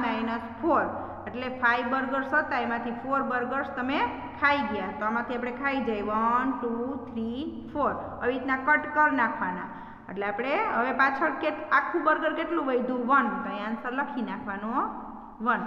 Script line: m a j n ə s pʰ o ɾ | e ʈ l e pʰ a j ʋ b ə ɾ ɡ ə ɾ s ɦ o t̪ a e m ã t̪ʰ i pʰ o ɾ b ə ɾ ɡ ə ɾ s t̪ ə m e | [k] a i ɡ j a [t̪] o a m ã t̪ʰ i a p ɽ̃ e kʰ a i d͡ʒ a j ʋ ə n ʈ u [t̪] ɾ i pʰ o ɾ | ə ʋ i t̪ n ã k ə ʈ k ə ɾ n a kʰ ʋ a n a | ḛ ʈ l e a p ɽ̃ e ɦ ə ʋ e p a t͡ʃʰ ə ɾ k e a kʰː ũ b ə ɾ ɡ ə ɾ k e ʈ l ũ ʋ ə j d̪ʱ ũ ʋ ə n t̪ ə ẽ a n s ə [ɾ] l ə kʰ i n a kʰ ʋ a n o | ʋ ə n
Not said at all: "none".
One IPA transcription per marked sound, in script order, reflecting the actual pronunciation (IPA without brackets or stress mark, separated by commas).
kʰ, t̪, t̪ʰ, ɾ